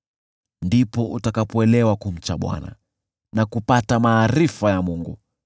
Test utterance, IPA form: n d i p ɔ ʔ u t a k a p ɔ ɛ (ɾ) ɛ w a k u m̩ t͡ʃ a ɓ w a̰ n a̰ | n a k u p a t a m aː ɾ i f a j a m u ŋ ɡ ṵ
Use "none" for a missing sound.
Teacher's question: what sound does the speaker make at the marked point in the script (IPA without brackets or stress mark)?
l